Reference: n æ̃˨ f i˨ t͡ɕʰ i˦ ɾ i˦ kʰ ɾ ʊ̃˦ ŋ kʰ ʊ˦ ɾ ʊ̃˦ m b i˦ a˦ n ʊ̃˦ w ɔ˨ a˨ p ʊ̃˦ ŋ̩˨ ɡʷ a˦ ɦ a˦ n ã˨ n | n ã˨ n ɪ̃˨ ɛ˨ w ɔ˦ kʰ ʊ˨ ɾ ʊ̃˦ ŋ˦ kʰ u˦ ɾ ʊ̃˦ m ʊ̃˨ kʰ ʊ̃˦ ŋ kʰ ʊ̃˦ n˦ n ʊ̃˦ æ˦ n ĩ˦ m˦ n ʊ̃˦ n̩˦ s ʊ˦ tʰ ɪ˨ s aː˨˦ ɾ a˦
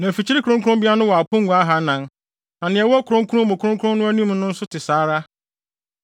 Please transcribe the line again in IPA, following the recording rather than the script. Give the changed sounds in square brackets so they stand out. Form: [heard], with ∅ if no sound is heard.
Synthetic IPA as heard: n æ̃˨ f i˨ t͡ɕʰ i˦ ɾ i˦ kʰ ɾ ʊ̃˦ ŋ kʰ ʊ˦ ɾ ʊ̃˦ m b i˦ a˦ n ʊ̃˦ w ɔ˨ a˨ p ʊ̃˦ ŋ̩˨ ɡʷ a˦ ɦ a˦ n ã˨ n | n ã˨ n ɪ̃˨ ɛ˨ w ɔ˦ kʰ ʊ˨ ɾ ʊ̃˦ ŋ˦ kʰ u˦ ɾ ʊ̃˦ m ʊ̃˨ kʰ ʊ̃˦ ŋ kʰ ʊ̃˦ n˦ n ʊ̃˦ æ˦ n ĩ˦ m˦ n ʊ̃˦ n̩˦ s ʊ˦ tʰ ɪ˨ s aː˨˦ ɾ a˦